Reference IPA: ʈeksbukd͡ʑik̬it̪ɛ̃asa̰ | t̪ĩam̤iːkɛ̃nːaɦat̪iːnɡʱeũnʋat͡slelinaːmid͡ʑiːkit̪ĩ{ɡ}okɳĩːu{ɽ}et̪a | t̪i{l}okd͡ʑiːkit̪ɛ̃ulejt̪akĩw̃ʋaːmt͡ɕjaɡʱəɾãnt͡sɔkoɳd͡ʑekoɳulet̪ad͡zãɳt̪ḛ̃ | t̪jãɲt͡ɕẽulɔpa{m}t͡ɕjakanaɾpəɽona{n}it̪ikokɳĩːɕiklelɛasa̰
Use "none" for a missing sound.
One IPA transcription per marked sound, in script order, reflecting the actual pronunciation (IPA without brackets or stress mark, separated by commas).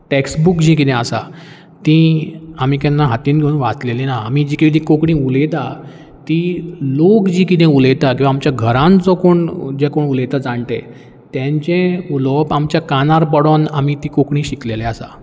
k, l, l, m, m